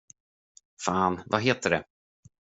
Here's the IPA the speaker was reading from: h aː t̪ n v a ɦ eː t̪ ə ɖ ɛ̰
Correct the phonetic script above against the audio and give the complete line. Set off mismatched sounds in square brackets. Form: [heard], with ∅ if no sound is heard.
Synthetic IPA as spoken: [f] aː [∅] n v a ɦ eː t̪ ə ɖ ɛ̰